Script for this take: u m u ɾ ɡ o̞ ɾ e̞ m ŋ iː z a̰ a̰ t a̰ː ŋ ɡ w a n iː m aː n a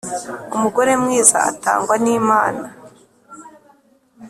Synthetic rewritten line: u m u ɡ o̞ ɾ e̞ m ŋ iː z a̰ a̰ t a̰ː ŋ ɡ w a n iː m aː n a